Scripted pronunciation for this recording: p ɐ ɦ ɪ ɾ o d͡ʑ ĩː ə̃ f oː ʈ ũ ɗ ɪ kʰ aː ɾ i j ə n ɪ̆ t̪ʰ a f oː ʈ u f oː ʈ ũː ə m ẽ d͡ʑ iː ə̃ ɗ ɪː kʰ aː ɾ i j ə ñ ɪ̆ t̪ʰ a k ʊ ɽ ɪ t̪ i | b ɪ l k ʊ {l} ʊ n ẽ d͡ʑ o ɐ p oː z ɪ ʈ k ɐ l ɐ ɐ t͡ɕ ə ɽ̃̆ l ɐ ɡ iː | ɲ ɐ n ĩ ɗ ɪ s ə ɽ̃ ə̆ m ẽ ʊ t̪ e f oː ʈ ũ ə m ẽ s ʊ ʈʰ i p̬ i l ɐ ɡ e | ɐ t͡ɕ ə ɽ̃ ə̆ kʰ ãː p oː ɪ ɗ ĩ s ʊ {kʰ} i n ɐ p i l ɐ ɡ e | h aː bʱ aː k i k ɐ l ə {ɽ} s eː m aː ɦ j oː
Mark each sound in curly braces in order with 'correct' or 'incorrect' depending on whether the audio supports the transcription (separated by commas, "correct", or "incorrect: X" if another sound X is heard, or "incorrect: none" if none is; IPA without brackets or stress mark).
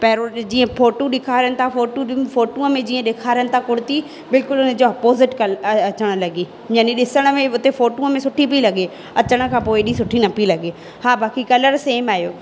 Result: correct, incorrect: ʈʰ, incorrect: ɾ